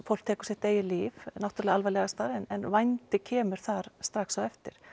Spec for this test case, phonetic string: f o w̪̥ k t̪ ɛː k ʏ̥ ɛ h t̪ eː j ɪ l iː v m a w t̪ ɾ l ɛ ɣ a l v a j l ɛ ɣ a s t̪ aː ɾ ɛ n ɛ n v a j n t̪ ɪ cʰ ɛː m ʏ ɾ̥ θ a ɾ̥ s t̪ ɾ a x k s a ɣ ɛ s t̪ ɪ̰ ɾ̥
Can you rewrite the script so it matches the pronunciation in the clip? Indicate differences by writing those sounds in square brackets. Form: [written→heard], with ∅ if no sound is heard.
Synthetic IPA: f o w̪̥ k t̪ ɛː k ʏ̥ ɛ h t̪ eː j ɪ l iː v [m→n] a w t̪ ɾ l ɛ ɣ a l v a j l ɛ ɣ a s t̪ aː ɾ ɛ n ɛ n v a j n t̪ ɪ cʰ ɛː m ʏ ɾ̥ θ a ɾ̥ s t̪ ɾ a x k s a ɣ ɛ [s→f] t̪ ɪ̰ ɾ̥